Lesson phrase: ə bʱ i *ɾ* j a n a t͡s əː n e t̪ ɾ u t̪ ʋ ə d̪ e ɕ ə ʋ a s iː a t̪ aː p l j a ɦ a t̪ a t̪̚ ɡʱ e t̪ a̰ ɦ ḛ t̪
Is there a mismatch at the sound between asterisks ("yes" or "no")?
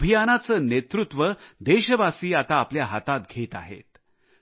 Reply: yes